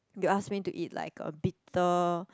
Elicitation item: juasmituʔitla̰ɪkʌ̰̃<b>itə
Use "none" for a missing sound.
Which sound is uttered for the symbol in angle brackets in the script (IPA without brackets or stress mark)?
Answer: b